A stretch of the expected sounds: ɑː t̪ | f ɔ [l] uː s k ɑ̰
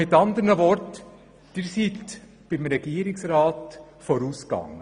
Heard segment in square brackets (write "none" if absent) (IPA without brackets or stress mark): ɾ